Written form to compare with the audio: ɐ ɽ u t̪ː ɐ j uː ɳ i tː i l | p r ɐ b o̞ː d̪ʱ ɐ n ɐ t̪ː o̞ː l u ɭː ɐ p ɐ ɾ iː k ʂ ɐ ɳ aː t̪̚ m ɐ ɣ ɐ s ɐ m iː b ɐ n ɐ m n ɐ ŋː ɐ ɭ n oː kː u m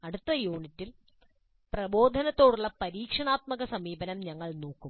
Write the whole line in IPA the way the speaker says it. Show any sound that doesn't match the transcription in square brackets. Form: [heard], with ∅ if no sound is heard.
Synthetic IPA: ɐ ɽ u t̪ː ɐ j uː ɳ i tː i l | p r ɐ b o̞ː d̪ʱ ɐ n ɐ t̪ː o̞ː [ɽ] u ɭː ɐ p ɐ ɾ iː k ʂ ɐ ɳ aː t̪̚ m ɐ ɣ ɐ s ɐ m iː b ɐ n ɐ m [ɲ] ɐ ŋː ɐ ɭ n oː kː u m